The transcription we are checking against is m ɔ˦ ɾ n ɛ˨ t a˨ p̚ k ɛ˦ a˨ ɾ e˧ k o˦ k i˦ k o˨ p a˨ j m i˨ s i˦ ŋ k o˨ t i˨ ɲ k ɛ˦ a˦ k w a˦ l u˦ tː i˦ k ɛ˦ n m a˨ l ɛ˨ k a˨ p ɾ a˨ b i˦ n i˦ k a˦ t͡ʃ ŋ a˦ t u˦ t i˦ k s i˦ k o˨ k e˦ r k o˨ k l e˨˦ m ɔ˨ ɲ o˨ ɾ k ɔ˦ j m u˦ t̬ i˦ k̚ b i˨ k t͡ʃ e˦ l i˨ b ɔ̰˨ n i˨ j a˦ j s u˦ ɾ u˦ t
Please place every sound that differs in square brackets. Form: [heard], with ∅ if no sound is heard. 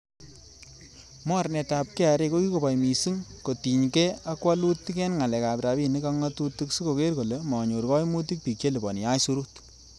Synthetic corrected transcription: m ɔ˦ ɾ n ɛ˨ t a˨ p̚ k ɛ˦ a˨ ɾ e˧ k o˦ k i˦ k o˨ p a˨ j m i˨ s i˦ ŋ k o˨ t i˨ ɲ k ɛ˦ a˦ k w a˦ l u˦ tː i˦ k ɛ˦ n [ŋ] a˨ l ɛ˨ k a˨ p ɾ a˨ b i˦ n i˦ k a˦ [∅] ŋ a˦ t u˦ t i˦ k s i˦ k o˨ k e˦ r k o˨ [∅] l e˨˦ m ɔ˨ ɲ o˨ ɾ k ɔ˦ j m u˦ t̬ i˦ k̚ [p] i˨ k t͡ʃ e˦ l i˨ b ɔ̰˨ n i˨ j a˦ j s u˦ ɾ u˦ t